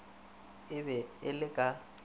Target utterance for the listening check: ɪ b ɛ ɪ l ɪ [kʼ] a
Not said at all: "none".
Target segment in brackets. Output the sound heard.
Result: kʼ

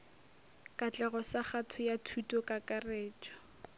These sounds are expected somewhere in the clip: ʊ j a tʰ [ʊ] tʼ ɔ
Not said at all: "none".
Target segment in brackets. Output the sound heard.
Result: u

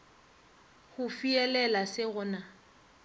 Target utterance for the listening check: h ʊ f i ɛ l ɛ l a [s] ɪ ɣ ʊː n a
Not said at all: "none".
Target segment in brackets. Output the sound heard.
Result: s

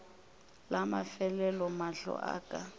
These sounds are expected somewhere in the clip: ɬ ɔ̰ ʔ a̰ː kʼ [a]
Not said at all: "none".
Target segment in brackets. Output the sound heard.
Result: a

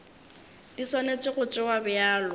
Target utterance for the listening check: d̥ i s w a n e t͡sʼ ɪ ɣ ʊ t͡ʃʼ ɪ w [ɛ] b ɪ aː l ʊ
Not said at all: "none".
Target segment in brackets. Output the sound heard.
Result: a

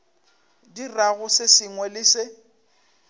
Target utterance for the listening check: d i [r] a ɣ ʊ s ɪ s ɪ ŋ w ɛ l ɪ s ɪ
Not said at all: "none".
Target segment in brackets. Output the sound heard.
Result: r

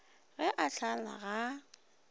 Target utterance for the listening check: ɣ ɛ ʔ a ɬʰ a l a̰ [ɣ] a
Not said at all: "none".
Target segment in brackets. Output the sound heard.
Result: ɣ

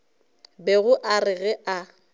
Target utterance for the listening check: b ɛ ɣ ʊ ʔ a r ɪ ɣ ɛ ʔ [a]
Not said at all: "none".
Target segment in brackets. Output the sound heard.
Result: a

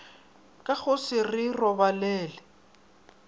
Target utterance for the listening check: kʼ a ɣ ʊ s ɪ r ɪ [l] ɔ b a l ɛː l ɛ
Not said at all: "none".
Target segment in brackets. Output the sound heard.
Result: r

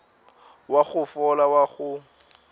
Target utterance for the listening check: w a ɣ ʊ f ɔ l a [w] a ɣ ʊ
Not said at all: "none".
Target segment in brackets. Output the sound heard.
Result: w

